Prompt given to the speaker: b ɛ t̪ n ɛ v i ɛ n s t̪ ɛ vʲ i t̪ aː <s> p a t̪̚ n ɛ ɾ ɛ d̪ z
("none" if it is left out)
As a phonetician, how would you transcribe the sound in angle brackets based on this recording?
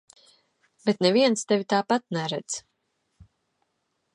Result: none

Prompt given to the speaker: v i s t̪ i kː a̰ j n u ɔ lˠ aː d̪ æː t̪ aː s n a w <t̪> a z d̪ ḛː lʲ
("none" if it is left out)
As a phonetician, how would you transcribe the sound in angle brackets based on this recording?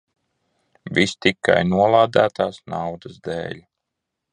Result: d̪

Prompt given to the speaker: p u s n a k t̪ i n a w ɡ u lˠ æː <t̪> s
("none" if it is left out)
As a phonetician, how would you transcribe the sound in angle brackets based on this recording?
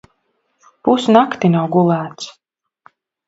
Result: t̪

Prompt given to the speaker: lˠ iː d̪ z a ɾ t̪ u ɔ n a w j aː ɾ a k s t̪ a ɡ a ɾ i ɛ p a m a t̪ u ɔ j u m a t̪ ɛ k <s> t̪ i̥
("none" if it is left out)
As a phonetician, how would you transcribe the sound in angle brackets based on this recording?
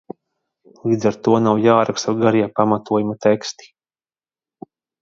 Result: s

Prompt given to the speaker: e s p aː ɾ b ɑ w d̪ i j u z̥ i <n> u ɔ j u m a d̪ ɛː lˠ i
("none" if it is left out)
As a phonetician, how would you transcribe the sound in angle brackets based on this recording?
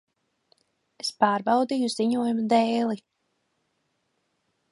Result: ɲ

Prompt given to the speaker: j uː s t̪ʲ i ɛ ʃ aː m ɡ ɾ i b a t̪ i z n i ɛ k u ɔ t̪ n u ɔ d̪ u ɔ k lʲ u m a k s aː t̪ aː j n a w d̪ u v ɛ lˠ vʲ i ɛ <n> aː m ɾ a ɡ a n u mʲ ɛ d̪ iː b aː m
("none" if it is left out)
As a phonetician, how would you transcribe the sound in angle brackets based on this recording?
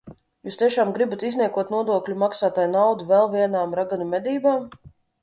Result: n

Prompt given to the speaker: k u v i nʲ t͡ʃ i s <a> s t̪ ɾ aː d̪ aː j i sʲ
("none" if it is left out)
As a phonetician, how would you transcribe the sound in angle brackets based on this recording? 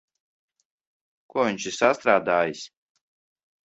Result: a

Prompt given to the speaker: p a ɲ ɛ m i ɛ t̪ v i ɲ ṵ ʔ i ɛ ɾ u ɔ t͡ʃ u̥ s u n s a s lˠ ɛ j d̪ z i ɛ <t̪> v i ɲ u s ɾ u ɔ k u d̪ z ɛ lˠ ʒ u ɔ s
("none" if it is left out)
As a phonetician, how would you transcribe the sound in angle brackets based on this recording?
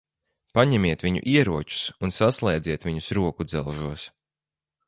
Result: t̪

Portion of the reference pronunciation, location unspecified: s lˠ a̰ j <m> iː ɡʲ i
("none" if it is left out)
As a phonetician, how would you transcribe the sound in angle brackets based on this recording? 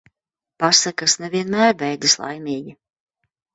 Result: m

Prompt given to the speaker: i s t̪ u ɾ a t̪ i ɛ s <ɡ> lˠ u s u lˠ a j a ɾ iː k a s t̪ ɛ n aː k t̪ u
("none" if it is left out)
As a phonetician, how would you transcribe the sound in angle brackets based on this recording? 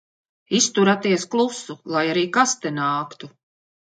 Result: k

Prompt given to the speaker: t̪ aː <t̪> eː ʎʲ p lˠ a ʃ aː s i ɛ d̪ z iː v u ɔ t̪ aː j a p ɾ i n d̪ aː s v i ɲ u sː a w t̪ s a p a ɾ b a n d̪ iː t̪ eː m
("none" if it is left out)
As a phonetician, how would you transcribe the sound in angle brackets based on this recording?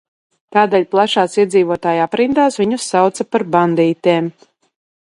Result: d̪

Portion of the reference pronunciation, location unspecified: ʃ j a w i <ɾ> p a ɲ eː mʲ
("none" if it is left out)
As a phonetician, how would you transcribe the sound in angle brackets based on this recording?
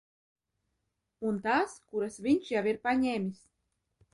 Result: ɾ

